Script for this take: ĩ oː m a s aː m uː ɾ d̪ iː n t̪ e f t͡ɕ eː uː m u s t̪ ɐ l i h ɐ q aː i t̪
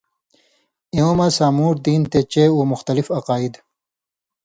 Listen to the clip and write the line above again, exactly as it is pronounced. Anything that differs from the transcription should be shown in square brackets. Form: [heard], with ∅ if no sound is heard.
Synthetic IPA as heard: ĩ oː m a s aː m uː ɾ d̪ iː n t̪ e [∅] t͡ɕ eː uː m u [x] t̪ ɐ l i [f] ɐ q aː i [d̪]